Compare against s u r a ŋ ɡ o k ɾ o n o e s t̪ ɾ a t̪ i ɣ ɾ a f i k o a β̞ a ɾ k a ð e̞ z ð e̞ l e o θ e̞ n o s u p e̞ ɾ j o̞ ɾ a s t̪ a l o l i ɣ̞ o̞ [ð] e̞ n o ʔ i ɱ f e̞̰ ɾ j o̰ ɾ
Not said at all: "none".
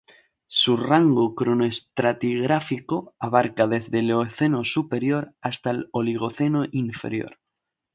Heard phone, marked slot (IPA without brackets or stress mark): θ